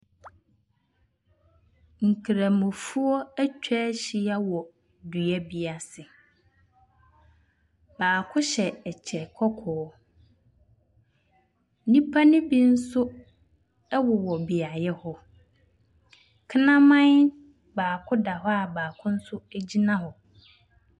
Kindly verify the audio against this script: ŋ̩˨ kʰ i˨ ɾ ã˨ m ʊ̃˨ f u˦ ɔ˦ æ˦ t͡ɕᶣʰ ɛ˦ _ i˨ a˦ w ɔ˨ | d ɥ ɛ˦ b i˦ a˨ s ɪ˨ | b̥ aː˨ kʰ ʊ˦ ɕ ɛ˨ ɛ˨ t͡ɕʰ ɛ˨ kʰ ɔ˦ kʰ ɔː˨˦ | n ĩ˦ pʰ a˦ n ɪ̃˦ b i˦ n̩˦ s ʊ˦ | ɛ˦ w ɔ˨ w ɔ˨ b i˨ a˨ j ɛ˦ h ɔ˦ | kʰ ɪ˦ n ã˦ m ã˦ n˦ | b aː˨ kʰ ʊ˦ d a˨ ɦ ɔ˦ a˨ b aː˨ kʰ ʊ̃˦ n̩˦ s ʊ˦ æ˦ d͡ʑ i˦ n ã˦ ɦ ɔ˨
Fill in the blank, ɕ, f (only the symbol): ɕ